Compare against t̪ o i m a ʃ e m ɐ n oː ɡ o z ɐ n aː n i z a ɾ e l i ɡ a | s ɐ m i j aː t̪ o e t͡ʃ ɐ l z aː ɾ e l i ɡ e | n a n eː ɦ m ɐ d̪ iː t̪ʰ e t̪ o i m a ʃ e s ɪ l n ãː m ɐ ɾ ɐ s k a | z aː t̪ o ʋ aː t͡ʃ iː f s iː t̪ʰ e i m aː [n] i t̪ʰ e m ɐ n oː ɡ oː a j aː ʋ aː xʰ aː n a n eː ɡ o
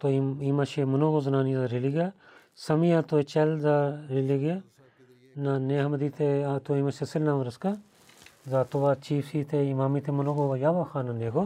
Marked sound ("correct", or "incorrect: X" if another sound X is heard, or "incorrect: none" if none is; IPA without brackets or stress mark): incorrect: m